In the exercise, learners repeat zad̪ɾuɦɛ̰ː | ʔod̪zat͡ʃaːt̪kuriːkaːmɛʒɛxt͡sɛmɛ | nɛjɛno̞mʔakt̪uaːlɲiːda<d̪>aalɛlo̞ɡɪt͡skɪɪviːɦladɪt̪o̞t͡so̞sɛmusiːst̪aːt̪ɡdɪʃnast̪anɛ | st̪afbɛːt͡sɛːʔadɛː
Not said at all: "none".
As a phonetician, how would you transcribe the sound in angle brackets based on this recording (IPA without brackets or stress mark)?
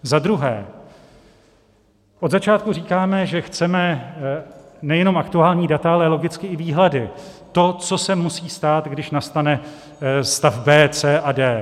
t̪